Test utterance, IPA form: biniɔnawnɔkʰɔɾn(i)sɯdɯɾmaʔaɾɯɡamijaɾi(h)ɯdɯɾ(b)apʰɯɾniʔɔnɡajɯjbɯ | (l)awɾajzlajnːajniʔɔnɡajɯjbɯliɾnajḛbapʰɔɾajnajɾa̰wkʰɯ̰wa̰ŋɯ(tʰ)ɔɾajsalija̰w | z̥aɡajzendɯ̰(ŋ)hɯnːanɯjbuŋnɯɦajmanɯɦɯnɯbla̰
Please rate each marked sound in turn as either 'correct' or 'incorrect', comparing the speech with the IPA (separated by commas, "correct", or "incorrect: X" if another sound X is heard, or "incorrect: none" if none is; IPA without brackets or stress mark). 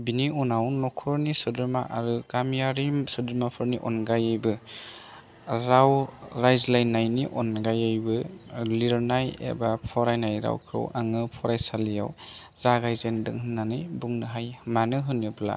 correct, incorrect: s, incorrect: m, incorrect: ɾ, incorrect: pʰ, correct